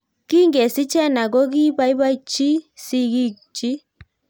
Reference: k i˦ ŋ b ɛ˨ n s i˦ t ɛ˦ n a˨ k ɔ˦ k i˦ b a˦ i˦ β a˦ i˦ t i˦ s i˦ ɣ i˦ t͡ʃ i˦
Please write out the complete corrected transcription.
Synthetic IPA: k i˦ ŋ ɡ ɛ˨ s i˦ t͡ʃ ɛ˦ n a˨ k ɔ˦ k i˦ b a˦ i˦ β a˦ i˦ t͡ʃ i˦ s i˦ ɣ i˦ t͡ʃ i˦